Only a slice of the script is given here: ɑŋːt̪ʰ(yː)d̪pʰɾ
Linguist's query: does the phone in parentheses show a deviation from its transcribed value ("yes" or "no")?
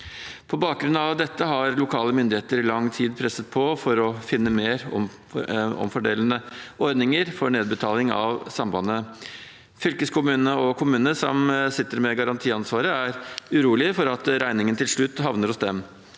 yes